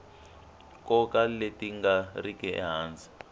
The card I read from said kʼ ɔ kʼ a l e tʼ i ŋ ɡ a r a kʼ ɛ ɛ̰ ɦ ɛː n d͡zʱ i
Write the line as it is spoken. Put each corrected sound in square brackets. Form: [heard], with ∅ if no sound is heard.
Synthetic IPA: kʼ ɔ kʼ a l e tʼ i ŋ ɡ a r [i] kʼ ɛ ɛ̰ ɦ [aː] n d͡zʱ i